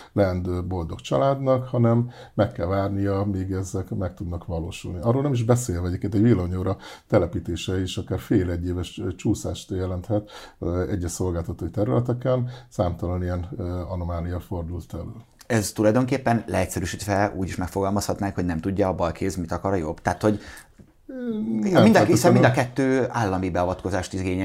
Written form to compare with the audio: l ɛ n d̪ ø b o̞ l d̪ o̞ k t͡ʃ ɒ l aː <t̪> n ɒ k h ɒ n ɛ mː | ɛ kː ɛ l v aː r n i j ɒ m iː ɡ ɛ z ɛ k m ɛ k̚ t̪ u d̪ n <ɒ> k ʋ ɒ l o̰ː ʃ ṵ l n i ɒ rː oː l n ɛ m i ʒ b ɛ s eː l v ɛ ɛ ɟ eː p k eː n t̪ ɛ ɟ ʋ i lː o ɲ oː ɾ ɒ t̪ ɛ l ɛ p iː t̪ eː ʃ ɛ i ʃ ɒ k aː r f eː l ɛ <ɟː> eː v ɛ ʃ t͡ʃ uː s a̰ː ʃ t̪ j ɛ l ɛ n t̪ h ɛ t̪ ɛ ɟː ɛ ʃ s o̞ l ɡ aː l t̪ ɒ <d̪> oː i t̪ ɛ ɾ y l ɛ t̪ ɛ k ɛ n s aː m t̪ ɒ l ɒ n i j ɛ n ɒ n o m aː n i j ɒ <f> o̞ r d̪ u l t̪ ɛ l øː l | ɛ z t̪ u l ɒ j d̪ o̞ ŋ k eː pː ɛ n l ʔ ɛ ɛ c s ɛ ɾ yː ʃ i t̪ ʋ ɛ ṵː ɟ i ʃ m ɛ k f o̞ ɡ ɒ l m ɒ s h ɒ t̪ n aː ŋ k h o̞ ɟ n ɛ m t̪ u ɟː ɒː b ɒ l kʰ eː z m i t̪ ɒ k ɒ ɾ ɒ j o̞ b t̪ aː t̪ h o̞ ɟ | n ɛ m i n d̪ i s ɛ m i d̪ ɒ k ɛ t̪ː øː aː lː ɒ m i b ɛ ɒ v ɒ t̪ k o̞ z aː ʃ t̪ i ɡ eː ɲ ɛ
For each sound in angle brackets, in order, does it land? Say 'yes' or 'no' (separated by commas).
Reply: no, yes, yes, no, yes